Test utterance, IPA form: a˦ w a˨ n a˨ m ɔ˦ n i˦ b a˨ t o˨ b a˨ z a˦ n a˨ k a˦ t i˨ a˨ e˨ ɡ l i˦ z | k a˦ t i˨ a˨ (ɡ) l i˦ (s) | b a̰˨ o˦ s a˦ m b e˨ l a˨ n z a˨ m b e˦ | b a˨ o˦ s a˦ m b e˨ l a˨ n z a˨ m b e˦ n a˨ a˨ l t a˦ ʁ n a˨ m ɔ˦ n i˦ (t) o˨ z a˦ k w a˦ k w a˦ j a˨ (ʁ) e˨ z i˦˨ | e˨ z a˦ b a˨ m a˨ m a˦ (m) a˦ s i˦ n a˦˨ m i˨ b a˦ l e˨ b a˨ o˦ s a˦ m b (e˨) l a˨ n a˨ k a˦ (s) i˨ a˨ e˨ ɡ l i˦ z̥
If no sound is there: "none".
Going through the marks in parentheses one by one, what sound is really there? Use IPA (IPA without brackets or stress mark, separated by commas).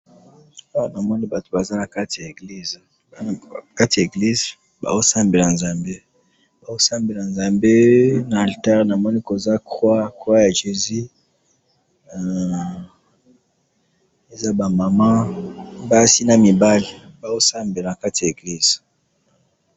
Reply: ɡ, z, k, ʒ, b, e˨, t